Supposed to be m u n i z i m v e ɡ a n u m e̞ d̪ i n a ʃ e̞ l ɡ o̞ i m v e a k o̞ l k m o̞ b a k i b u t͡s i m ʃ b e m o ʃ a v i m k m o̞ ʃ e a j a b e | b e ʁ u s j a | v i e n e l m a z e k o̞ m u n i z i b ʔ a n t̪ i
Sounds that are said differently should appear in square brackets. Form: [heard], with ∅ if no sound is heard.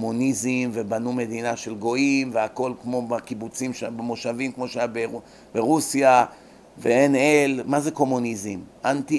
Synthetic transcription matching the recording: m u n i z i m v e [b] a n u m e̞ d̪ i n a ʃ e̞ l ɡ o̞ i m v e a k o̞ l k m o̞ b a k i b u t͡s i m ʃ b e m o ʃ a v i m k m o̞ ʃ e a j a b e | b e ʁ u s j a | v [e] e n e l m a z e k o̞ m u n i z i [m] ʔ a n t̪ i